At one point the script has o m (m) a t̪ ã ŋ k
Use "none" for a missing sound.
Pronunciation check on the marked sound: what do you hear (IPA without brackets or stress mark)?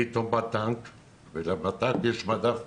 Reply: b